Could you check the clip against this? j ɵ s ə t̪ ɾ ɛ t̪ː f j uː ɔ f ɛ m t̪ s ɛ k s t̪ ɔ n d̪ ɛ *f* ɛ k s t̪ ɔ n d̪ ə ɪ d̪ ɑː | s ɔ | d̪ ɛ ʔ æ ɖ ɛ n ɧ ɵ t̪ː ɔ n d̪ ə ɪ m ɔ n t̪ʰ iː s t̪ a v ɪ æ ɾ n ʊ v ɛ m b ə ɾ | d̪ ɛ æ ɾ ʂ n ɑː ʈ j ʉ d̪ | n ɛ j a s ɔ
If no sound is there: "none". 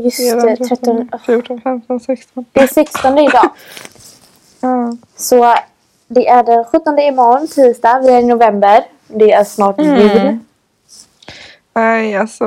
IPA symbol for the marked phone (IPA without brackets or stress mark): s